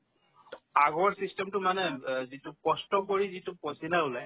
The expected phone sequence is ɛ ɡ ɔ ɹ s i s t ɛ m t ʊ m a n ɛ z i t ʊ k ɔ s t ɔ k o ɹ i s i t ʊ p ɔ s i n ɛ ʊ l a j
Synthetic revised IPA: a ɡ ɔ ɹ s i s t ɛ m t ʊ m a n ɛ z i t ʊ k ɔ s t ɔ k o ɹ i z i t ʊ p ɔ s i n a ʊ l a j